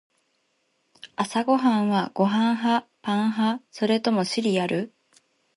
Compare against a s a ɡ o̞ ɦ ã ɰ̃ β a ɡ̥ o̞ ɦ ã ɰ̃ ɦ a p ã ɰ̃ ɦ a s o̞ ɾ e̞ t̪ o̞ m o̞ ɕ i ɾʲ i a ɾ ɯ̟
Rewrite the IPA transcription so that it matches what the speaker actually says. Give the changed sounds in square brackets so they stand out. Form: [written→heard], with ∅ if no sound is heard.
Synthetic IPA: a s a ɡ o̞ ɦ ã ɰ̃ β a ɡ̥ o̞ ɦ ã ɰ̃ ɦ a p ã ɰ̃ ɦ a s o̞ ɾ e̞ t̪ o̞ m o̞ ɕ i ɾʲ i a ɾ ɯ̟